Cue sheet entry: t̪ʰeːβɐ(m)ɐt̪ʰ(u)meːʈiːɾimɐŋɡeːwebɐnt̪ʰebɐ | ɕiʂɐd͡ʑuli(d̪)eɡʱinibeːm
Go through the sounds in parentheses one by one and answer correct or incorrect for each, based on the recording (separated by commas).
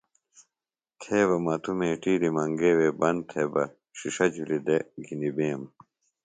correct, correct, correct